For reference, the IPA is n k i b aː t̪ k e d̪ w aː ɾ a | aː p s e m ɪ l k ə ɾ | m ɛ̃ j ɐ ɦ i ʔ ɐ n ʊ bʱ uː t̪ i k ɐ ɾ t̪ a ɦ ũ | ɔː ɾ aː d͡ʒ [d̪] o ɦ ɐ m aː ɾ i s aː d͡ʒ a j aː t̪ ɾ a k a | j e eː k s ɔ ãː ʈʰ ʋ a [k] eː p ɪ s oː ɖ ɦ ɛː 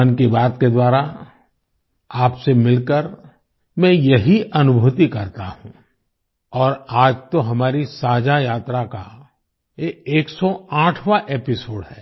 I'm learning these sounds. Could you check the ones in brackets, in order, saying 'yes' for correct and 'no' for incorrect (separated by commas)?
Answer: no, no